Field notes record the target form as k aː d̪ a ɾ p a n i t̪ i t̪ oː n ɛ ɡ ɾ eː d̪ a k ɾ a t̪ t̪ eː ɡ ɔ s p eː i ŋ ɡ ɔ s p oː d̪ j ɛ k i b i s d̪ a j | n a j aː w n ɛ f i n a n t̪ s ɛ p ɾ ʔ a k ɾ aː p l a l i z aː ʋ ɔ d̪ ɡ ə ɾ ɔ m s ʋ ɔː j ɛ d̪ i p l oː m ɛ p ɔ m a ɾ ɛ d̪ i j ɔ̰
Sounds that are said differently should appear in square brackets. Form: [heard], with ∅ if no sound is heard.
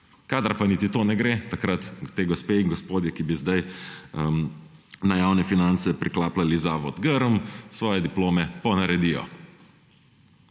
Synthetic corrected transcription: k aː d̪ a ɾ p a n i t̪ i t̪ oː n ɛ ɡ ɾ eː [t̪] a k ɾ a t̪ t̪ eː ɡ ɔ s p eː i ŋ ɡ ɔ s p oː d̪ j ɛ k i b i [z] d̪ a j | n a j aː w n ɛ f i n a n t̪ s ɛ p ɾ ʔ [i] k [l] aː p l a l i z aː ʋ ɔ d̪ ɡ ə ɾ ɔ m s ʋ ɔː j ɛ d̪ i p l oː m ɛ p ɔ [n] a ɾ ɛ d̪ i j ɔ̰